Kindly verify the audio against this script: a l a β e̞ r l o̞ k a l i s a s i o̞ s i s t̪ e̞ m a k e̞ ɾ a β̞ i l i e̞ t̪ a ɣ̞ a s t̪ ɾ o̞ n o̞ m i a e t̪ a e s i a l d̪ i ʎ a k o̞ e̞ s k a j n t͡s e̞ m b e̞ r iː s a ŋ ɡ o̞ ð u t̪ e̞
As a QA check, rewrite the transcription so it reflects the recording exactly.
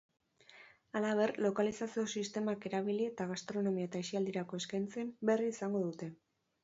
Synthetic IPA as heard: a l a β e̞ r l o̞ k a l i s a s i o̞ s i s t̪ e̞ m a k e̞ ɾ a β̞ i l i e̞ t̪ a ɣ̞ a s t̪ ɾ o̞ n o̞ m i a e t̪ a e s i a l d̪ i ɾ a k o̞ e̞ s k a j n t͡s e̞ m b e̞ r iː s a ŋ ɡ o̞ ð u t̪ e̞